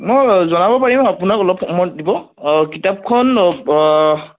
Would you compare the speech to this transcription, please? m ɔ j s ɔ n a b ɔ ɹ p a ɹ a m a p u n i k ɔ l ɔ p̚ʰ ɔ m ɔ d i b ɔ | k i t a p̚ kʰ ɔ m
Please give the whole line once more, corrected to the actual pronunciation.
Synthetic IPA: m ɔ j z ɔ n a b ɔ p a ɹ i m a p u n a k ɔ l ɔ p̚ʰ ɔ m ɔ d i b ɔ | k i t a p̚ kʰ ɔ n